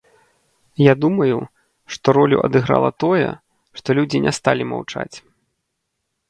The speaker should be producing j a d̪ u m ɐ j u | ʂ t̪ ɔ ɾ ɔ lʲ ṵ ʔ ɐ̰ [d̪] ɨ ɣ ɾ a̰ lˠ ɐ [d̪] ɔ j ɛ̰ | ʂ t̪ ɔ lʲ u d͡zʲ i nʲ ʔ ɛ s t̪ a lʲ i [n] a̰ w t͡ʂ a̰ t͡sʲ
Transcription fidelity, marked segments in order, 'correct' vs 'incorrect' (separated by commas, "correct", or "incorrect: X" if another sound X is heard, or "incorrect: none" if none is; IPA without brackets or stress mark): correct, incorrect: t̪, incorrect: m